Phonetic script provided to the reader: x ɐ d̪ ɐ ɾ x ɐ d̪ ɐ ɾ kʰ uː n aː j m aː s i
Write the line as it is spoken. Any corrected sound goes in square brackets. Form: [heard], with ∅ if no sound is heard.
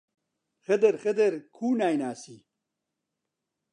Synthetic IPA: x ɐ d̪ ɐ ɾ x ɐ d̪ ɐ ɾ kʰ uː n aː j [n] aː s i